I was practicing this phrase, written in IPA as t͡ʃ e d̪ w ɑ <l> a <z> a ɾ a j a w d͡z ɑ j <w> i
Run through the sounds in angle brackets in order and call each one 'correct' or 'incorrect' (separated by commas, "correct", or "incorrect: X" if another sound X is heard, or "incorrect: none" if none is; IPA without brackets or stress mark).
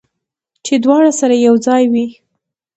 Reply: incorrect: ɽ, incorrect: s, correct